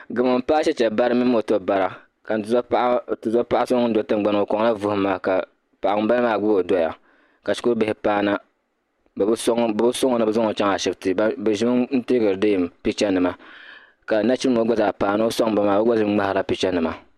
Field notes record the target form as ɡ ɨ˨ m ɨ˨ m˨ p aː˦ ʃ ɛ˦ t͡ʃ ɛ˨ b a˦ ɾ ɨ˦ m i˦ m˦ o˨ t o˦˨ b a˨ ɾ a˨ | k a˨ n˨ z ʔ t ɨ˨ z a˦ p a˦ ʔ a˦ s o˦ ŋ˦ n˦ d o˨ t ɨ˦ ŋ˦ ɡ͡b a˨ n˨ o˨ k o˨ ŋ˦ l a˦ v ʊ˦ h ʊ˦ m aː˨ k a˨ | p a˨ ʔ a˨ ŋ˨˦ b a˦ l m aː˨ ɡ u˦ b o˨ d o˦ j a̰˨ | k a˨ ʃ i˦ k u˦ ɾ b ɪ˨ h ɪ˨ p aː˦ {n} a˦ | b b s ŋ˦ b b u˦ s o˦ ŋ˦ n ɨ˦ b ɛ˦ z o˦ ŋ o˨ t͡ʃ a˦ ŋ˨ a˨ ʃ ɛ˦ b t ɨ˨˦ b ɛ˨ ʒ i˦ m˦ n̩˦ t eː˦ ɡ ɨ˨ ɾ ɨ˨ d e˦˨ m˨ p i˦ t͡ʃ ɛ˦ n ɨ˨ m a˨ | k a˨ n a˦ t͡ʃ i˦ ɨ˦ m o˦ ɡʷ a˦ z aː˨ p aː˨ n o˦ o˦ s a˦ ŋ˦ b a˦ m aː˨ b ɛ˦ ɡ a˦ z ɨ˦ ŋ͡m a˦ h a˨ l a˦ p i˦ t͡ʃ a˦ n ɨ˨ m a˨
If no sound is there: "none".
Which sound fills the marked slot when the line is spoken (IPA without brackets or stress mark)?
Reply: n